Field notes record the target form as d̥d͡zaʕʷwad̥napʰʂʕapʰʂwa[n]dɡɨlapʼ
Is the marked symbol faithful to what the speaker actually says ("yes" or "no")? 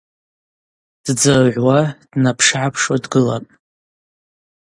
no